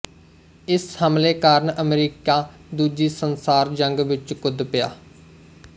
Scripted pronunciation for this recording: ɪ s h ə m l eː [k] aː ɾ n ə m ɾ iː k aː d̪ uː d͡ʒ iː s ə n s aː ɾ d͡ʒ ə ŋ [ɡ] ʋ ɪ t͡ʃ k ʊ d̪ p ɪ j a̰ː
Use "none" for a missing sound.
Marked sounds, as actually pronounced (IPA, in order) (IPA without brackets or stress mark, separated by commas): k, ɡ